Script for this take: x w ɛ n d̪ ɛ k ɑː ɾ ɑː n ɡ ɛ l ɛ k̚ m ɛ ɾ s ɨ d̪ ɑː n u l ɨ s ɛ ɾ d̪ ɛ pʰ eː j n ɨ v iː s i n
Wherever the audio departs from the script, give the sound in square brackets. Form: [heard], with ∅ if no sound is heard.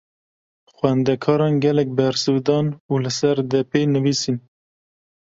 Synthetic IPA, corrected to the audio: x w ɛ n d̪ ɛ [kʰ] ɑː ɾ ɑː n ɡ ɛ l ɛ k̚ [b] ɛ ɾ s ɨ d̪ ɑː n u l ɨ s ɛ ɾ d̪ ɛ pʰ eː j n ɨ v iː s i n